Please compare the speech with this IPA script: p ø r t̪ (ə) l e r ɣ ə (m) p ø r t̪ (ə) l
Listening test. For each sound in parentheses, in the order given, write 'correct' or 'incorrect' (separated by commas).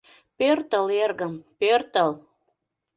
correct, correct, correct